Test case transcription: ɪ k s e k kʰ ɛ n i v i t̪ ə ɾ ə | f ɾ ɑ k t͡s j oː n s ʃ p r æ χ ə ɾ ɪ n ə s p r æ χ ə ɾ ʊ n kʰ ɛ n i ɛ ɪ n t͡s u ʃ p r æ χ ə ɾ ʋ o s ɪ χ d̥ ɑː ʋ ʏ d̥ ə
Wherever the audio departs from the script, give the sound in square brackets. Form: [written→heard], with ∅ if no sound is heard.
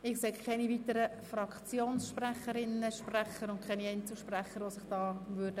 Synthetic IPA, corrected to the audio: ɪ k s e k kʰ ɛ n i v i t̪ ə ɾ ə | f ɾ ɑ k t͡s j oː n s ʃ p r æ χ ə ɾ ɪ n ə [s→ʃ] p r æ χ ə ɾ ʊ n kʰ ɛ n i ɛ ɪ n t͡s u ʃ p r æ χ ə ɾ ʋ o s ɪ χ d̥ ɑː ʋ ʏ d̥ ə